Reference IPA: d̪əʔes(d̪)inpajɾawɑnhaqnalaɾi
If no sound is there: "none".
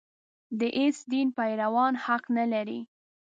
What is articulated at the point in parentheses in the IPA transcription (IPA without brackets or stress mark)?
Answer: d̪